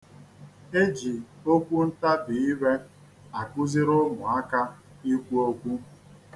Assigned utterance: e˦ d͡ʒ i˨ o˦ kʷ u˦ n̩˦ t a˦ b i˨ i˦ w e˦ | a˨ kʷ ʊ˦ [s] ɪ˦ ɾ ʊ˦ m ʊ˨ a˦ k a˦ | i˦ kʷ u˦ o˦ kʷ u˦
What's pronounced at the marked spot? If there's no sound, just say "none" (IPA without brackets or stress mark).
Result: z